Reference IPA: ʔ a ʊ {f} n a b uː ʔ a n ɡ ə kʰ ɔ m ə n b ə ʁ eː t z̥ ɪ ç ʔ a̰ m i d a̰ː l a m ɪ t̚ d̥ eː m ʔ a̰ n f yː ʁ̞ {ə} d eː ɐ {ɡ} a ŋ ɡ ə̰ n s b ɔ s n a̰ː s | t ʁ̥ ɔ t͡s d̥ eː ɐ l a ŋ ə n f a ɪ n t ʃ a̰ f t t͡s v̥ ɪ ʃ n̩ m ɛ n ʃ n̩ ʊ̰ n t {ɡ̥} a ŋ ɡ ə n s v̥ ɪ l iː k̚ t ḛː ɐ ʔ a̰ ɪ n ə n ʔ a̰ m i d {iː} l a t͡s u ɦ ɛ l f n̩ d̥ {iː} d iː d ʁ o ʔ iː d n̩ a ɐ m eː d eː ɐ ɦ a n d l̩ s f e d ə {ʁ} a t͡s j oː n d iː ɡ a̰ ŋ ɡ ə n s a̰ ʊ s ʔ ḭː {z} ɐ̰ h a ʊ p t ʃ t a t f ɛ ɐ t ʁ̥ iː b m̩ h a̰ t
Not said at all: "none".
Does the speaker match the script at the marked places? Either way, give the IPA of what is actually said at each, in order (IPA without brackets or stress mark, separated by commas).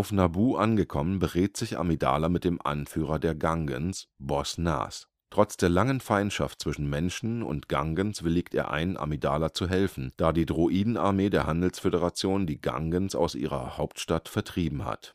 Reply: f, ɐ, ɡ, ɡ̥, aː, aː, ʁ, ʁ